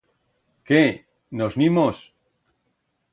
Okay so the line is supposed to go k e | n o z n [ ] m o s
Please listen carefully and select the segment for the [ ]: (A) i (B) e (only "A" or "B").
A